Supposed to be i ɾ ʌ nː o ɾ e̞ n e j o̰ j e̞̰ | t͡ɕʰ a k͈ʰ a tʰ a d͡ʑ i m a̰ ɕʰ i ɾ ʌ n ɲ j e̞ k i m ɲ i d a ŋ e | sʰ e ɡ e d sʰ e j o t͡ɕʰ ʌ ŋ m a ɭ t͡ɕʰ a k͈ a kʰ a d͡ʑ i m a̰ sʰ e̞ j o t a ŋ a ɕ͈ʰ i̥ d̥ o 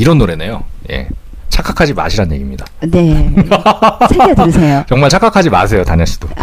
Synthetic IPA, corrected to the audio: i ɾ ʌ nː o ɾ e̞ n e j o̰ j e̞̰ | t͡ɕʰ a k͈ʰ a kʰ a d͡ʑ i m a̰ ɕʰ i ɾ a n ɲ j e̞ ɡ i m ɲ i d a n e | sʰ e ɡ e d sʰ e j o t͡ɕ ʌ ŋ m a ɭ t͡ɕʰ a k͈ a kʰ a d͡ʑ i m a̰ sʰ e̞ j o t a ɲ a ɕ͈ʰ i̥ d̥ o